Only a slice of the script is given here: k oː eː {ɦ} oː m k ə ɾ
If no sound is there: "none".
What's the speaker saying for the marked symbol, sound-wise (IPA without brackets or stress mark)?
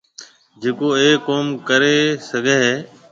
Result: none